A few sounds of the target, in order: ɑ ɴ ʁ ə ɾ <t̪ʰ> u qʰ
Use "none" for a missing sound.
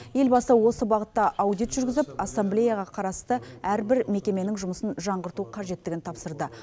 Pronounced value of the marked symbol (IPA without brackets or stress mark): t̪